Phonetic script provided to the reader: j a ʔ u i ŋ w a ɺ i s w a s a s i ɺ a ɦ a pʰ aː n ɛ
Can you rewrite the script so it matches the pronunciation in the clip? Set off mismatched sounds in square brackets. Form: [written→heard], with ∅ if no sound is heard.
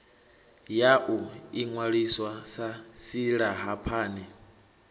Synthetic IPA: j a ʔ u i ŋ w a ɺ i s w a s a s i ɺ a ɦ a pʰ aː n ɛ